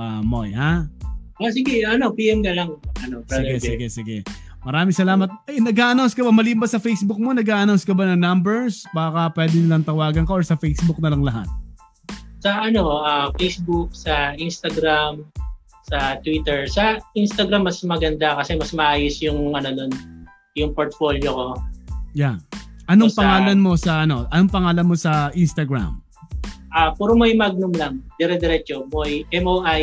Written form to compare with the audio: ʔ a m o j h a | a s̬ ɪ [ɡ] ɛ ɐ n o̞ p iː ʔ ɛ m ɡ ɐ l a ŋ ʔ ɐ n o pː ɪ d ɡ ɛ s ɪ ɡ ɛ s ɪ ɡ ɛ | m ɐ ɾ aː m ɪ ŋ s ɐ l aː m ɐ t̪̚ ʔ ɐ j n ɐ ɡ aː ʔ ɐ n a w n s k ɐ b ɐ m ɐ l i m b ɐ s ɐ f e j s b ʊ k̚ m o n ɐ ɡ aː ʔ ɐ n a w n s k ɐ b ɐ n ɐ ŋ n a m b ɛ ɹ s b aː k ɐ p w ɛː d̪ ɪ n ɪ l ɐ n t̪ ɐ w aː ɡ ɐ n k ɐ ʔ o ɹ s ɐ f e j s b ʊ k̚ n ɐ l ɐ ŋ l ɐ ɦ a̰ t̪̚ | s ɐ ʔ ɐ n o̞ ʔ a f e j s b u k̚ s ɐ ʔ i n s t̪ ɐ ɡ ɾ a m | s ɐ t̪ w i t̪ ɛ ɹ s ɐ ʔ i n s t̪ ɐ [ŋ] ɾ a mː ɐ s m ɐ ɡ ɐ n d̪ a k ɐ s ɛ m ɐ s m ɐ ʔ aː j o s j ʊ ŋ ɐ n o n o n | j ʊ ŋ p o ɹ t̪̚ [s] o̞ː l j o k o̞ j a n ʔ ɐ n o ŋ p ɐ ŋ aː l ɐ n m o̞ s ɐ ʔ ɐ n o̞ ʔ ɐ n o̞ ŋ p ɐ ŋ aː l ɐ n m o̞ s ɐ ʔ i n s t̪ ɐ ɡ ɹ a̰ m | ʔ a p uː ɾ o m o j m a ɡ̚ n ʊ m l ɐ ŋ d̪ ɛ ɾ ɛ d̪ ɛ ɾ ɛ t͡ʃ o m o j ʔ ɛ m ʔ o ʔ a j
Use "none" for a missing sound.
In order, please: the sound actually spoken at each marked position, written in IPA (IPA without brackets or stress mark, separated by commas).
ɡ, ɡ, f